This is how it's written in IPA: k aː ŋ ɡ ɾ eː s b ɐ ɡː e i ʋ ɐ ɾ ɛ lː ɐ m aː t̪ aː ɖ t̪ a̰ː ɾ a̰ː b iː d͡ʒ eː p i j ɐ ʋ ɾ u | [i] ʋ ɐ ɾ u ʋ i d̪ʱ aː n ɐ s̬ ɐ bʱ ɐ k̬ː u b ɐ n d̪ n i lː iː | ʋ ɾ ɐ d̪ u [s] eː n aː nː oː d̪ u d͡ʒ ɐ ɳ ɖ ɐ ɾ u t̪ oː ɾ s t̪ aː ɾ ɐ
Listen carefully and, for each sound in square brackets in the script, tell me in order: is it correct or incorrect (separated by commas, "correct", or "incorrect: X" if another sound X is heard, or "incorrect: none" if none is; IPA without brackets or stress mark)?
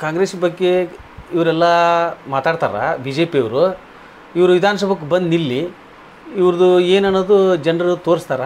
correct, incorrect: none